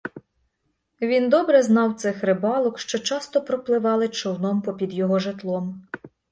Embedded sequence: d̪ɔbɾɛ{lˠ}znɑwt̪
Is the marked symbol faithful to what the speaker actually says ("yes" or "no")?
no